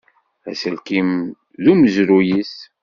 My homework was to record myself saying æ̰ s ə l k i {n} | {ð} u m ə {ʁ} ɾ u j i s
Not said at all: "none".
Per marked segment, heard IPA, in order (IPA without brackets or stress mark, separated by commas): m, ð, z